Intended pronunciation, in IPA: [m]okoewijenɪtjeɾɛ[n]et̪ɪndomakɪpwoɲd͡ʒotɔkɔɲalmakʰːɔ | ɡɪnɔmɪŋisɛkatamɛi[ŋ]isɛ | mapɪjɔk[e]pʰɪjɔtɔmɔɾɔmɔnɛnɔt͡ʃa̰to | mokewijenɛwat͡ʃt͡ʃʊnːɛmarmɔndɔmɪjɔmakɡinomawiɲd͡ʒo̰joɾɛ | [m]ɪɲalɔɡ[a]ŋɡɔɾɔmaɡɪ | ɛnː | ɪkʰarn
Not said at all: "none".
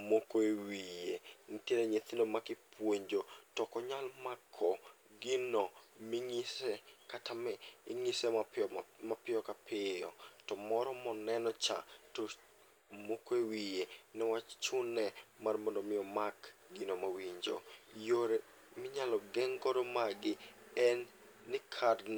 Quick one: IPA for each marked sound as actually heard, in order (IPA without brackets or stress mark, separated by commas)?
m, ɲ, ŋ, a, m, ɛ